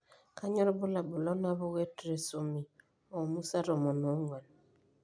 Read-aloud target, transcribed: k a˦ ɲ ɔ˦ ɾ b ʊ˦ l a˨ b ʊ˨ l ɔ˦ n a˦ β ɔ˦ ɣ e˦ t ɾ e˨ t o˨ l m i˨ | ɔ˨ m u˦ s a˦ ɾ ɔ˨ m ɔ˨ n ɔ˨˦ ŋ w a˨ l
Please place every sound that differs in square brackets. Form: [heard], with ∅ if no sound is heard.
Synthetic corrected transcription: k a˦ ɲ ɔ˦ ɾ b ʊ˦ l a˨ b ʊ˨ l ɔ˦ n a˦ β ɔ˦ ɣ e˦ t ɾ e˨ [s] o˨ [∅] m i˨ | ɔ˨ m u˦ s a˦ ɾ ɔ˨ m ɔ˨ n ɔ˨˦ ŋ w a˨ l